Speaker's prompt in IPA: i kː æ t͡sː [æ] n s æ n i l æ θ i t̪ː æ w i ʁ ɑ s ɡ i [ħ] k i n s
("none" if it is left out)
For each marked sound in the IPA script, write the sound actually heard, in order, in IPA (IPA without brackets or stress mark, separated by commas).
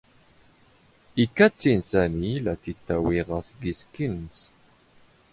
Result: i, s